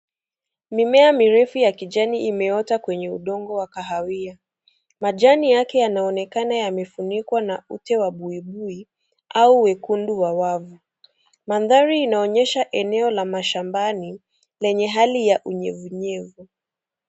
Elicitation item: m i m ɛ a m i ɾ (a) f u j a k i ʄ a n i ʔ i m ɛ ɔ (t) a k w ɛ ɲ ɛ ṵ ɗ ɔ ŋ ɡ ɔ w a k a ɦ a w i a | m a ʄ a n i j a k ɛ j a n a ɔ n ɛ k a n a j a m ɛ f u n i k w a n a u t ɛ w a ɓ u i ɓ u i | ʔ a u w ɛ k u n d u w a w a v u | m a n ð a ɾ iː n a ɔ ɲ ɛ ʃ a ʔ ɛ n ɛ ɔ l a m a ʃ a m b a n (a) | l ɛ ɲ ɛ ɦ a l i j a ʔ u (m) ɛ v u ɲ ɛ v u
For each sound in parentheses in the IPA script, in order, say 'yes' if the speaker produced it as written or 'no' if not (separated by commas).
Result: no, yes, no, no